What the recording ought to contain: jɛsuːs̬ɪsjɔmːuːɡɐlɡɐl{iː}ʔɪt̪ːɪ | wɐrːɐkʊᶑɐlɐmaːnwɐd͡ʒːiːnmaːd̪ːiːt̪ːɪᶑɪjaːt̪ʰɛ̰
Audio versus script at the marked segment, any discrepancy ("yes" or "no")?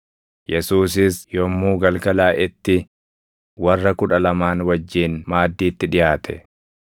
yes